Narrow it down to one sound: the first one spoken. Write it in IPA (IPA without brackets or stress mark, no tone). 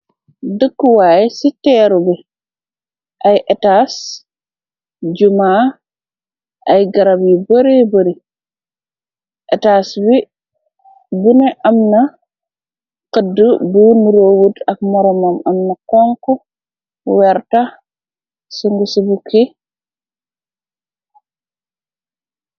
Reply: d